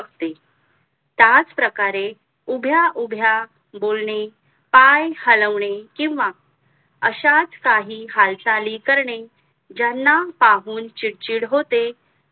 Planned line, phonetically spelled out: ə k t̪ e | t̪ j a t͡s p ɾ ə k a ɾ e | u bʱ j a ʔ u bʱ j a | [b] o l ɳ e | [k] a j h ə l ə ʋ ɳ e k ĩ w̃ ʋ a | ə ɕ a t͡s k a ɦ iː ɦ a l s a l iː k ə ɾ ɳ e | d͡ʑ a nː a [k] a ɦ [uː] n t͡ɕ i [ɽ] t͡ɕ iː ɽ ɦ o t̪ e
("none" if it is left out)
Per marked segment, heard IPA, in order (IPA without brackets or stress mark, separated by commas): b, p, p, uː, ɽ